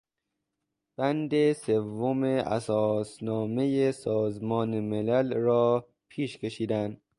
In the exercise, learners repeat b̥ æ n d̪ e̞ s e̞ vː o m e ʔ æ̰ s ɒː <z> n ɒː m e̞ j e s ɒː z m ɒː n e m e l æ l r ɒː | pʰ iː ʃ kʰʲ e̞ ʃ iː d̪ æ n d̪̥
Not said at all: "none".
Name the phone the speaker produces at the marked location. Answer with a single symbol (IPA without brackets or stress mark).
s